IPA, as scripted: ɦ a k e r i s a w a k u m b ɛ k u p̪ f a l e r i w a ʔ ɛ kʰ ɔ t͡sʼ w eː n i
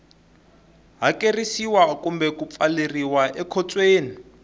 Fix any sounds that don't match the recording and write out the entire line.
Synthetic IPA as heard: ɦ a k e r i s i w a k u m b ɛ k u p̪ f a l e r i w a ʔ ɛ kʰ ɔ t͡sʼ w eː n i

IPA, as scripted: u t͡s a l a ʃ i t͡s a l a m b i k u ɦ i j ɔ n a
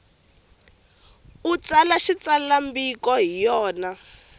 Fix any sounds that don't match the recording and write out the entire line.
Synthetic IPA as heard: u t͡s a l a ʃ i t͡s a l a m b i k ɔ ɦ i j ɔː n a

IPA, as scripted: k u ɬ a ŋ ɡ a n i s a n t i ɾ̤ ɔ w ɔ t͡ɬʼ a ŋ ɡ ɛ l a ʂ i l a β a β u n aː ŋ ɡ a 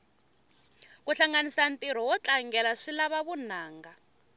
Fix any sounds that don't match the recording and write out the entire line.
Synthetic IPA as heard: k u ɬ a ŋ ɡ a n i s a n t i ɾ̤ ɔ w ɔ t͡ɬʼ a ŋ ɡ ɛ l a ʂ i l a β a β u n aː ŋ ɡ a

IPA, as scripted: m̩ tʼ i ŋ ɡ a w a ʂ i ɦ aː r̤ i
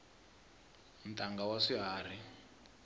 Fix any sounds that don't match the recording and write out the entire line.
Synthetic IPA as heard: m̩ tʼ a ŋ ɡ a w a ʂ i ɦ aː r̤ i

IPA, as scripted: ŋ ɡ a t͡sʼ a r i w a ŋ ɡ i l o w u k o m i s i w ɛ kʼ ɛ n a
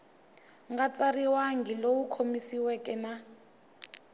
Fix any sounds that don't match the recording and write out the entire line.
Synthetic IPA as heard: ŋ ɡ a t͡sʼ a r i w a ŋ ɡ i l o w u kʰ o m i s i w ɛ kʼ ɛ n a

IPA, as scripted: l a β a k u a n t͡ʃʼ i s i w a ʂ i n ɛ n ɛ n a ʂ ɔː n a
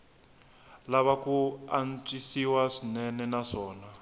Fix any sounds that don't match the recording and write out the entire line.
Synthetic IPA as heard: l a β a k u a n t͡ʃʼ i s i w a ʂ i n ɛ n ɛ n a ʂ ɔː n a

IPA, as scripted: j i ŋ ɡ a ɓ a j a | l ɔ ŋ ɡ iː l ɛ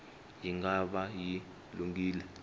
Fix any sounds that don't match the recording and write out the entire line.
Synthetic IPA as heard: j i ŋ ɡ a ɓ a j i | l u ŋ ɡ iː l ɛ

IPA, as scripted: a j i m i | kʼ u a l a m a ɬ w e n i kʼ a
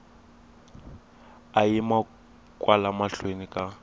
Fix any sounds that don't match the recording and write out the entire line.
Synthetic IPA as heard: a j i m a | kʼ w a l a m a ɬ w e n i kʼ a

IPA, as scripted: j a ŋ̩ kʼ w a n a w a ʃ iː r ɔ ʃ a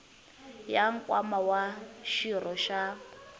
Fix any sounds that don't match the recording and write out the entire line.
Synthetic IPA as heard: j a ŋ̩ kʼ w a m a w a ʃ i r ɔ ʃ a

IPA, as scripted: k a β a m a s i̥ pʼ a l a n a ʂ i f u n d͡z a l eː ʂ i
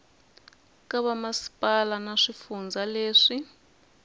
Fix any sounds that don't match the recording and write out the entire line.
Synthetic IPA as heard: k a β a m a s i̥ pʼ a l a n a ʂ i f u n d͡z a l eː ʂ i

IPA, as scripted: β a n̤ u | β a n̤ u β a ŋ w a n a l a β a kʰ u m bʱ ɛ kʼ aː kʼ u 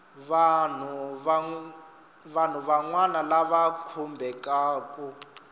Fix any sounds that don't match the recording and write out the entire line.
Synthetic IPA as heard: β a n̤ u | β a n̤ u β a ŋ w a n a l a β a kʰ u m bʱ ɛ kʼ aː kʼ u

